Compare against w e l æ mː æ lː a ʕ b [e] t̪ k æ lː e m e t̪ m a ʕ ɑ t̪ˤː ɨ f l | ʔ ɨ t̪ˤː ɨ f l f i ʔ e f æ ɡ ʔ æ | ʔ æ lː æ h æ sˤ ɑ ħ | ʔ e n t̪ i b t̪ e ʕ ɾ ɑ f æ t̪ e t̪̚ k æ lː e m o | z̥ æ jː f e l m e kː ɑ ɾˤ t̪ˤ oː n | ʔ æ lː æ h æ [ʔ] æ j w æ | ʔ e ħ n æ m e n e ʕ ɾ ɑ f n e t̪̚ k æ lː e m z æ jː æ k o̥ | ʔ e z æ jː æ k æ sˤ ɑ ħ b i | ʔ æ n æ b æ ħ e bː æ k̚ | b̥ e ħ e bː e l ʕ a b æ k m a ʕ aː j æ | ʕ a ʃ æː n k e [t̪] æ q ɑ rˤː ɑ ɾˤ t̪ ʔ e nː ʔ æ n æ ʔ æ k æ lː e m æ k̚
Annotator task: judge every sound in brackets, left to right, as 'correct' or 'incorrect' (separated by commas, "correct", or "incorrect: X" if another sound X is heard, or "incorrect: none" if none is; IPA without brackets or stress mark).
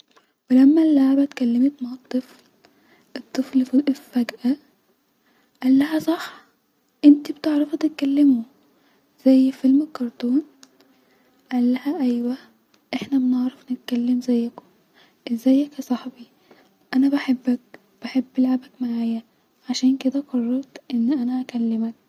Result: incorrect: æ, correct, incorrect: d̪